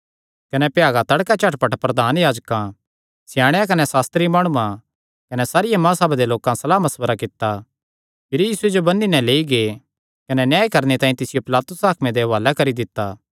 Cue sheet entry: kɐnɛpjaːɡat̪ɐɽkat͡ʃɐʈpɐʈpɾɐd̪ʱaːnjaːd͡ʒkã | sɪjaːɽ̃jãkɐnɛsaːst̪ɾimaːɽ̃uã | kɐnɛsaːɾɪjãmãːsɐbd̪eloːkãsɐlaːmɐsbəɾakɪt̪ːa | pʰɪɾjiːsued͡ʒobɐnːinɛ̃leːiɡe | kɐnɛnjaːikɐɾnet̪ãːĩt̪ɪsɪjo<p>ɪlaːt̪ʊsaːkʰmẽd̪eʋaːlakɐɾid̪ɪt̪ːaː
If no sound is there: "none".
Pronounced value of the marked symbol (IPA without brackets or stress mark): p